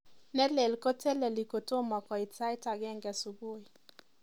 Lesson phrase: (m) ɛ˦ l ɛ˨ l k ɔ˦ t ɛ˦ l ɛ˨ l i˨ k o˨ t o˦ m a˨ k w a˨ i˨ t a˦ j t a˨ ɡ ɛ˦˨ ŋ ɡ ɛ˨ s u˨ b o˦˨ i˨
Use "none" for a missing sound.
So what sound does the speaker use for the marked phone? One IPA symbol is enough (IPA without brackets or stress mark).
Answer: n